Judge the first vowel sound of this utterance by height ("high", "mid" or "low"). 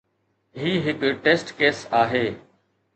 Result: high